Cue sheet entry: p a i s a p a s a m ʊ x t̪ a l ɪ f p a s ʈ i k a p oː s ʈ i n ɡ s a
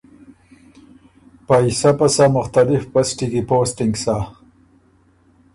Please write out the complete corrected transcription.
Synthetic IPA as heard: p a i s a p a s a m ʊ x t̪ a l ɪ f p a s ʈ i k i p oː s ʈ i ŋ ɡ s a